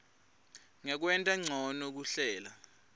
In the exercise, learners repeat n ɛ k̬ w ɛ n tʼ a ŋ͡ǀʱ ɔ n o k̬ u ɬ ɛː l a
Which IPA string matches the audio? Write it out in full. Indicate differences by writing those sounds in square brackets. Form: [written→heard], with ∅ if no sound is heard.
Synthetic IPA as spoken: [n→ŋ] ɛ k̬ w ɛ n tʼ a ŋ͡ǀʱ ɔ n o k̬ u ɬ ɛː l a